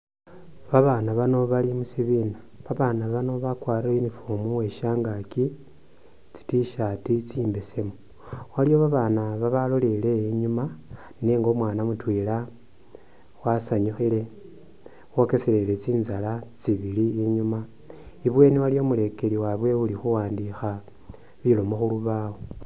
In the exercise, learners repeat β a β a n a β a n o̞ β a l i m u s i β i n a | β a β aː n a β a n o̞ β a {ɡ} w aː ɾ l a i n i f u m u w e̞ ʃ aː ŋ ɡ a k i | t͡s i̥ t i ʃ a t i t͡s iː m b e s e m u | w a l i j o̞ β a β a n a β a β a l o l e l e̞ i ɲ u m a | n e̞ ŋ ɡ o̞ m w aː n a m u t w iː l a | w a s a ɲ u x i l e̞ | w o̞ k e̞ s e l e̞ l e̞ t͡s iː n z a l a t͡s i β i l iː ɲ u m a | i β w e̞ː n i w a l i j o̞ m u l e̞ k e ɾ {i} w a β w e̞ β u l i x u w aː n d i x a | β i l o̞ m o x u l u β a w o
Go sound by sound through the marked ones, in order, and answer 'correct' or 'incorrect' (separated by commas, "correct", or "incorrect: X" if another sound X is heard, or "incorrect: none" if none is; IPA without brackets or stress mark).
incorrect: k, correct